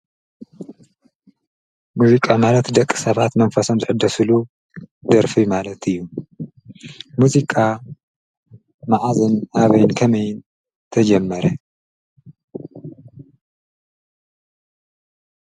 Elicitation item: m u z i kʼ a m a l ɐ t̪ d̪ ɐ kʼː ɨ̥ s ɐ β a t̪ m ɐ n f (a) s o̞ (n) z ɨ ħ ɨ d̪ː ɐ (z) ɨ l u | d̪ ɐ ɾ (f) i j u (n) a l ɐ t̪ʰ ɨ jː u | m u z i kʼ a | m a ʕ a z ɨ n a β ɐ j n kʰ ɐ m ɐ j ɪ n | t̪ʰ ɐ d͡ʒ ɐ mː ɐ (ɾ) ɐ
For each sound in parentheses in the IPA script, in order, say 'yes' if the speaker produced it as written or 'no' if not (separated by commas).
no, no, no, yes, no, yes